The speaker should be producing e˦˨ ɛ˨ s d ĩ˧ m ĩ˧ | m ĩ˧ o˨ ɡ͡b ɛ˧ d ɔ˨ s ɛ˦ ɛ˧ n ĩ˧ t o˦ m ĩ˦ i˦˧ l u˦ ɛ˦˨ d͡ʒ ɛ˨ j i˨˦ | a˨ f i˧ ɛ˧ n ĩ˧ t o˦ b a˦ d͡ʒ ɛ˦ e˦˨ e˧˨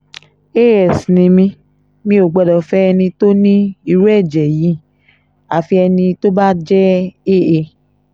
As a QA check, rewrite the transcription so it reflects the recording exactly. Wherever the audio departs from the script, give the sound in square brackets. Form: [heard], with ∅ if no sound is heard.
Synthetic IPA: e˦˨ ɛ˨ s [n] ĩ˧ m ĩ˧ | m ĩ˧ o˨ ɡ͡b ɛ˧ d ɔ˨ [f] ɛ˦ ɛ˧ n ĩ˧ t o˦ [n] ĩ˦ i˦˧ [ɾ] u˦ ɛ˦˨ d͡ʒ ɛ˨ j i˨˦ | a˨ f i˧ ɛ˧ n ĩ˧ t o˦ b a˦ d͡ʒ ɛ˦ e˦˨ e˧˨